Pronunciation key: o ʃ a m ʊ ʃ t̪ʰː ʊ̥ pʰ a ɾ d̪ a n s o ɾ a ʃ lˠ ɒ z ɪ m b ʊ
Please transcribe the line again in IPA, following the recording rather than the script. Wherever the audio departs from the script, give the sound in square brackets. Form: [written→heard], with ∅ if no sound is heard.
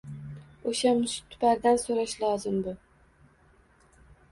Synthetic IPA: o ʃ a m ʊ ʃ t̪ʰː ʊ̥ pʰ a ɾ d̪ a n s o ɾ a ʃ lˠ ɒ z ɪ m b ʊ